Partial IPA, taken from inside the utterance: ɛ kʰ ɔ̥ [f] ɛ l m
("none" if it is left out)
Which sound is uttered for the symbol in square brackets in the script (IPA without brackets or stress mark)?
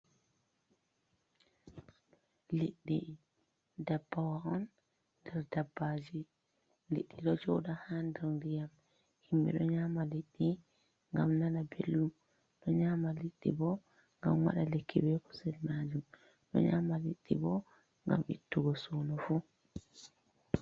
s